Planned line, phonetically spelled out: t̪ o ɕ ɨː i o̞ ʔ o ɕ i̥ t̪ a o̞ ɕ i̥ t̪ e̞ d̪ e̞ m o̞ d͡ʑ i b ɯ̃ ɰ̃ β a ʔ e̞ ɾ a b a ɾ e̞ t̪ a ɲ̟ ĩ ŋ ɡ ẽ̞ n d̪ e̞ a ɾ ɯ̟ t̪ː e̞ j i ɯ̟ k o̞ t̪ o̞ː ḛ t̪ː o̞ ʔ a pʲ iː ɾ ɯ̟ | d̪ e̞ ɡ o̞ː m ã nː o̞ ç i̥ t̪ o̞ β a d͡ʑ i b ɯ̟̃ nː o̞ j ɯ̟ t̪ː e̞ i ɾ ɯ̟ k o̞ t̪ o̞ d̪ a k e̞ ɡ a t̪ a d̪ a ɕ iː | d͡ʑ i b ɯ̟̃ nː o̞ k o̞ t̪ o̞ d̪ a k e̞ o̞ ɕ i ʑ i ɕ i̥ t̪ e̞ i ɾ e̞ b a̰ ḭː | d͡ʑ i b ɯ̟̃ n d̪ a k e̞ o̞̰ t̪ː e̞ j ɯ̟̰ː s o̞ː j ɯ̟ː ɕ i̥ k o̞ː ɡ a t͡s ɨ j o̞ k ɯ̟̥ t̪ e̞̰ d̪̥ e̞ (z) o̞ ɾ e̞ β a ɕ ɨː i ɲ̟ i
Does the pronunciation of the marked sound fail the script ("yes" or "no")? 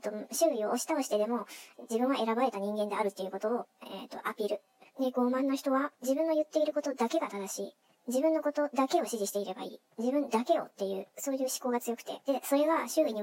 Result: yes